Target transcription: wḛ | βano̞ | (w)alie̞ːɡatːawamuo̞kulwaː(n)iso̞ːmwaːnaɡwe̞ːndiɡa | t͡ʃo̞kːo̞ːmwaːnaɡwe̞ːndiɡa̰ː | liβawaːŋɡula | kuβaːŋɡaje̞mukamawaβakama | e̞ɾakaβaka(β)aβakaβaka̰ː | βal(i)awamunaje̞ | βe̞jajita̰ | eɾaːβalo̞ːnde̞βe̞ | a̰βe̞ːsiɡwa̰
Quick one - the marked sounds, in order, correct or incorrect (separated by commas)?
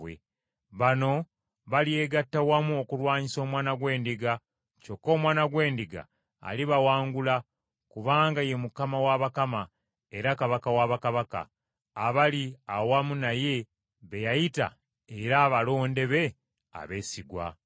incorrect, incorrect, incorrect, correct